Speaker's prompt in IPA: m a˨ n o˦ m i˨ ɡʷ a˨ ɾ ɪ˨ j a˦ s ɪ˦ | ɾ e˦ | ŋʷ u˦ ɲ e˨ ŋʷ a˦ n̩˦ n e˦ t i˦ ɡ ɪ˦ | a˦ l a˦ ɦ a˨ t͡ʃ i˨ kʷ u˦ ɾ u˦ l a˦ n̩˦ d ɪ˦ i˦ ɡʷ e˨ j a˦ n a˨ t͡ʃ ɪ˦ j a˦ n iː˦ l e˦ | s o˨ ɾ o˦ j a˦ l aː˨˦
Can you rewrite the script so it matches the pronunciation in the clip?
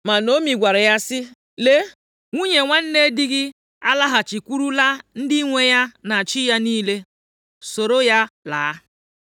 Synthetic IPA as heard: m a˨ n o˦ m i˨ ɡʷ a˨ ɾ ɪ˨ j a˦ s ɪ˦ | l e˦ | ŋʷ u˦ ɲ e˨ ŋʷ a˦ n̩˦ n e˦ d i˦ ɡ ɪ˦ | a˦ l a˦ ɦ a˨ t͡ʃ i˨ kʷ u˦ ɾ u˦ l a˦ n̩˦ d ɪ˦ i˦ ŋʷ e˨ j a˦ n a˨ t͡ʃ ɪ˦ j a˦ n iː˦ l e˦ | s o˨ ɾ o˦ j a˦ l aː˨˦

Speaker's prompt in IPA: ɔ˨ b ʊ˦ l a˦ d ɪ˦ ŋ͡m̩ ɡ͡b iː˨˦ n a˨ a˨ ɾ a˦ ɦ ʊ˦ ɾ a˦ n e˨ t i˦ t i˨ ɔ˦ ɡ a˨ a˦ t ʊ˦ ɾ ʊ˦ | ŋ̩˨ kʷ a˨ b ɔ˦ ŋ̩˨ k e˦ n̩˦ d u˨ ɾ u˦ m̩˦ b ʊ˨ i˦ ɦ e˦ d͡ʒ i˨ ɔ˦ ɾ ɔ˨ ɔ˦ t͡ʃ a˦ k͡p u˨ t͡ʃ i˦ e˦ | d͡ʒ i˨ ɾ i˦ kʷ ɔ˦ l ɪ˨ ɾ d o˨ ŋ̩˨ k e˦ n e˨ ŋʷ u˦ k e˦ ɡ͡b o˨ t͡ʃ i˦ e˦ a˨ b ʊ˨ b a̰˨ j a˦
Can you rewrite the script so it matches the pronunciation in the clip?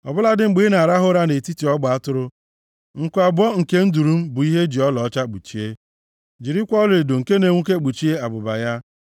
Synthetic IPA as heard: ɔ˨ b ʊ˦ l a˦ d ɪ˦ ŋ͡m̩ ɡ͡b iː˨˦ n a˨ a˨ ɾ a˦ ɦ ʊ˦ ɾ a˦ n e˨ t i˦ t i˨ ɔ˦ ɡ͡b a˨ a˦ t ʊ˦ ɾ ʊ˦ | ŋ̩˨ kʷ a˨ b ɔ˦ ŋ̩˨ k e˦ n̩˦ d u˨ ɾ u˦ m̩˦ b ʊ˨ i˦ ɦ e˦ d͡ʒ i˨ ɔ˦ l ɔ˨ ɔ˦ t͡ʃ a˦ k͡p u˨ t͡ʃ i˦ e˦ | d͡ʒ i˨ ɾ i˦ kʷ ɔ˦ l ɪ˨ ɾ d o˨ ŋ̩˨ k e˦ n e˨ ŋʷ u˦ k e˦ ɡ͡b u˨ t͡ʃ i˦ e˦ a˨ b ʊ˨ b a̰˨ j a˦

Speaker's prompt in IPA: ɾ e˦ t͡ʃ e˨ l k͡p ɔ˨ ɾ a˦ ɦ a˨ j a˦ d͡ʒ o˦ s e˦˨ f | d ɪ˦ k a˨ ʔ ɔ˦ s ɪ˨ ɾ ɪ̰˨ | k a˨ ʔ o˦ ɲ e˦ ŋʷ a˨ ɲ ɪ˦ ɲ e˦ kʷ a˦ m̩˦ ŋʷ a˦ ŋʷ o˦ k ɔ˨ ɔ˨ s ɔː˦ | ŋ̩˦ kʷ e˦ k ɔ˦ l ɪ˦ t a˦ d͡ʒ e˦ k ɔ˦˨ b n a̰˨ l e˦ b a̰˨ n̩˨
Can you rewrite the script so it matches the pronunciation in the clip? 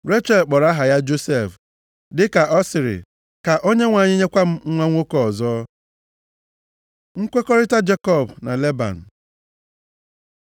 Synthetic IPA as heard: ɾ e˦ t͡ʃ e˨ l k͡p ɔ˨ ɾ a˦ ɦ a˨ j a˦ d͡ʒ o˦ s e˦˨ f | d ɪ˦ k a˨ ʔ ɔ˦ s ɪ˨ ɾ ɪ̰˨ | k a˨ ʔ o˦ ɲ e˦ ŋʷ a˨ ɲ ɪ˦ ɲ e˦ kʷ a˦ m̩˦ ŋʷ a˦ ŋʷ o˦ k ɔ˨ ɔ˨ z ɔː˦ | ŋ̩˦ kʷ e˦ k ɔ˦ ɾ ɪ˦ t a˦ d͡ʒ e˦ k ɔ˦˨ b n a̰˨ l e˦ b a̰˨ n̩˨

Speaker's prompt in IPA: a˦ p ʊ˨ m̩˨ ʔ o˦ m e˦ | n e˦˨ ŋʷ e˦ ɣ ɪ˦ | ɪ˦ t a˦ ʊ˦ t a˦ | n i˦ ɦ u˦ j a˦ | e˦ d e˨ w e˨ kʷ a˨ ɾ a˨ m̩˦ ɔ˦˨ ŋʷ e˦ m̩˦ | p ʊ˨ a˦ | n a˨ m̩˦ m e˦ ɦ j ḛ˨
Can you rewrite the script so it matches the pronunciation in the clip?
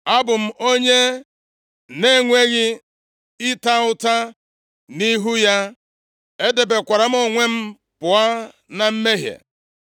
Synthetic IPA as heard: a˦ b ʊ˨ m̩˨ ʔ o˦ ɲ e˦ | n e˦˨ ŋʷ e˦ ɣ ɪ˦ | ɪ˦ t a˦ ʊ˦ t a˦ | n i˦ ɦ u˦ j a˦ | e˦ d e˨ b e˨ kʷ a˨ ɾ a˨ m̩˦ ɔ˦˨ ŋʷ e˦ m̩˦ | p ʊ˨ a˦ | n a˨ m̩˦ m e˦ ɦ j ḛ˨

